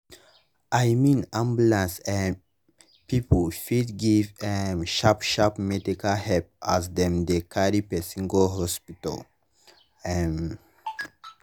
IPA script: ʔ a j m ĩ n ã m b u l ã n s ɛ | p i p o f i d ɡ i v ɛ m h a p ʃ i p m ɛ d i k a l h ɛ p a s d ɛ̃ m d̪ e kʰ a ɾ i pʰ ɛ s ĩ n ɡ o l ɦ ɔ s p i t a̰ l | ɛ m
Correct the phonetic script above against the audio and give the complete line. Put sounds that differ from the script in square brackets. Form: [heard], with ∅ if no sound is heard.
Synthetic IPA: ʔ a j m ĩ n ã m b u l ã n s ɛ | p i p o f i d ɡ i v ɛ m [ʃ] a p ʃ [a] p m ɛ d i k a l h ɛ p a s d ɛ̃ m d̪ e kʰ a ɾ i [p] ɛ s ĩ [ŋ] ɡ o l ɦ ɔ s p i t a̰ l | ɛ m